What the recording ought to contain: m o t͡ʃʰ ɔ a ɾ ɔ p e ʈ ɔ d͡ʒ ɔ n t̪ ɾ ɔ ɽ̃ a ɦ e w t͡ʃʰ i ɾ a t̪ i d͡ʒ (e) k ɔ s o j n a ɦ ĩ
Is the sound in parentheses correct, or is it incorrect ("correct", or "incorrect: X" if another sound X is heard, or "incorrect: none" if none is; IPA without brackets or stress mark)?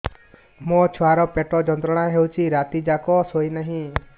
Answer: incorrect: a